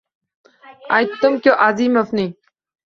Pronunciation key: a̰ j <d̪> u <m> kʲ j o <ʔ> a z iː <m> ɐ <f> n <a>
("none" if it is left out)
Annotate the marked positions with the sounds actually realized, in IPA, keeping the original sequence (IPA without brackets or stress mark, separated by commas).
t̪, m, ʔ, m, f, i